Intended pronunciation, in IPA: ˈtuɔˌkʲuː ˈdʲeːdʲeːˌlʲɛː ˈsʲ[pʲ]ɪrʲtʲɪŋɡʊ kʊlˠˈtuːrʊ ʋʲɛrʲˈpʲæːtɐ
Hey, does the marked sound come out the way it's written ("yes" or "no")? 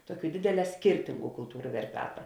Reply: no